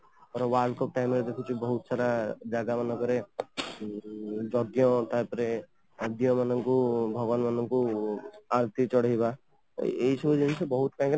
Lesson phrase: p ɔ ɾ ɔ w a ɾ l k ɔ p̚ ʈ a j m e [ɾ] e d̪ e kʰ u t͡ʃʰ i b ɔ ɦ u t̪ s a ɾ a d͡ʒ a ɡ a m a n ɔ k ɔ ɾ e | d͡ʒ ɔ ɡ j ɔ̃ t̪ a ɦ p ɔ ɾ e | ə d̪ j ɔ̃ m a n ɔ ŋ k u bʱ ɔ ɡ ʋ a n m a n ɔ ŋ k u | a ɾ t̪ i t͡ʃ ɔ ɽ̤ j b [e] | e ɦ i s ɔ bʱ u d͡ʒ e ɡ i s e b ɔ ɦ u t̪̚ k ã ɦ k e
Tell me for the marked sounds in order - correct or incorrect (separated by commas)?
correct, incorrect